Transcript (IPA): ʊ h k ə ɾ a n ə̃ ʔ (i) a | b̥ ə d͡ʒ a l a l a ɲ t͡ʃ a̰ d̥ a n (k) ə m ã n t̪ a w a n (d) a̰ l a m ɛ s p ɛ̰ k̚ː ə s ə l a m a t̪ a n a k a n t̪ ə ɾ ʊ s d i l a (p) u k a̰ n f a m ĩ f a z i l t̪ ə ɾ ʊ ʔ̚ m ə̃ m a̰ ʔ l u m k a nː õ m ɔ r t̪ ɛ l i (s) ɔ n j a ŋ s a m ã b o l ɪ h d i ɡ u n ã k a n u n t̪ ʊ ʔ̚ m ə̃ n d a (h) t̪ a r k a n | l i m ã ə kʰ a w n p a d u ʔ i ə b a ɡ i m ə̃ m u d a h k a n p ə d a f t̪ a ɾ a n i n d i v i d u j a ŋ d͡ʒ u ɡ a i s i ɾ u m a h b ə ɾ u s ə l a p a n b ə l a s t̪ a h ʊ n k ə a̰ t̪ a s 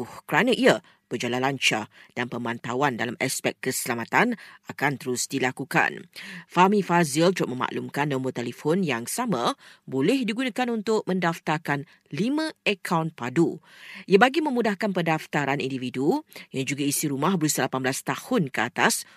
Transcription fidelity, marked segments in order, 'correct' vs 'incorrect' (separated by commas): correct, incorrect, correct, incorrect, incorrect, incorrect